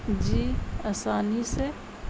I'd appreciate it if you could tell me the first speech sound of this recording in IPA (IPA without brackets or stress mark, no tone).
d͡ʒ